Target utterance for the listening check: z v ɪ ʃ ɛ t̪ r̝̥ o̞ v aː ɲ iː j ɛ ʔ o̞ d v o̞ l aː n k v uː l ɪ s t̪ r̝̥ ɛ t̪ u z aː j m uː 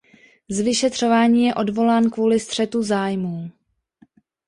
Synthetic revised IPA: z v ɪ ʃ ɛ t̪ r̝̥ o̞ v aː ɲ iː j ɛ ʔ o̞ d v o̞ l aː n k v uː l ɪ s t̪ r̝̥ ɛ t̪ u z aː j m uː